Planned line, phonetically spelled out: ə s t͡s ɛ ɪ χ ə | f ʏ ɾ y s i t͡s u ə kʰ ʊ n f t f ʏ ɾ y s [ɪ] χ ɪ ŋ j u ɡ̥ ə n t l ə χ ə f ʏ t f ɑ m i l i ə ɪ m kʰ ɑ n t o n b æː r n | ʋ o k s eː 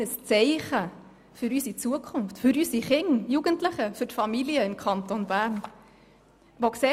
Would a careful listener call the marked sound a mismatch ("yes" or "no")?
yes